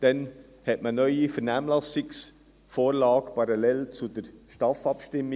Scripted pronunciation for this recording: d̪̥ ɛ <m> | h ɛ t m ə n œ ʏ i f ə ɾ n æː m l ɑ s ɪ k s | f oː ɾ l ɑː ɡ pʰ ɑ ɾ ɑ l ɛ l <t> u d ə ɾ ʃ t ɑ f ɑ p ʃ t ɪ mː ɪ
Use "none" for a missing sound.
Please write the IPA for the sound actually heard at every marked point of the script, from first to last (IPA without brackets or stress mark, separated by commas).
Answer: n, t͡s